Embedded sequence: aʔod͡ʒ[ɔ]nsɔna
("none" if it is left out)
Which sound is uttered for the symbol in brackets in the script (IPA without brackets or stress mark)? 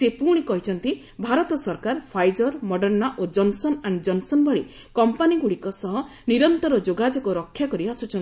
ɔ